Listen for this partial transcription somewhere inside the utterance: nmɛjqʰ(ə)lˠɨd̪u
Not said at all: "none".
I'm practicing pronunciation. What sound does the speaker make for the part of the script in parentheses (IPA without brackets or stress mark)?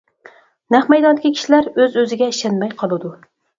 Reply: ɑ